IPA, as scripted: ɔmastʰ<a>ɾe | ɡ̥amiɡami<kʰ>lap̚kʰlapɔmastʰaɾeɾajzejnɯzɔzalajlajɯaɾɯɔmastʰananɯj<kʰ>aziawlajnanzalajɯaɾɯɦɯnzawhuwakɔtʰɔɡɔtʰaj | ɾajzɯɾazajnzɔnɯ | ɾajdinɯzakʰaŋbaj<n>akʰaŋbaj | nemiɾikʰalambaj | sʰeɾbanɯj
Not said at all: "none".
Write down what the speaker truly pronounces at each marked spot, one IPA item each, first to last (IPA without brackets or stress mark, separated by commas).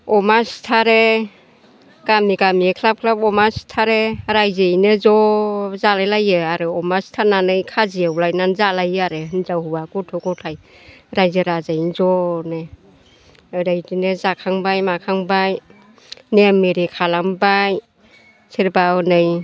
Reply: a, kʰ, kʰ, m